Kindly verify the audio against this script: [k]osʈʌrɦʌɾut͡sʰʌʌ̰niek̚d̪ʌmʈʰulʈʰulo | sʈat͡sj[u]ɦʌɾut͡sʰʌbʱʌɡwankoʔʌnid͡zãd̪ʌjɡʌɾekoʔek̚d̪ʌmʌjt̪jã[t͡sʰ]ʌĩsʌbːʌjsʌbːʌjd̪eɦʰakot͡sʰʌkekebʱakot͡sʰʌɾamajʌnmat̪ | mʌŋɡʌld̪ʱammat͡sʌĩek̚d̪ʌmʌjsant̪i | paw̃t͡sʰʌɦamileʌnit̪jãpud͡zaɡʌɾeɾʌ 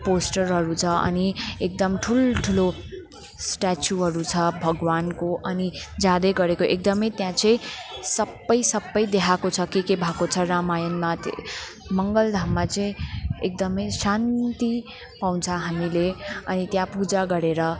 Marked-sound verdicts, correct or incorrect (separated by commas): incorrect, correct, incorrect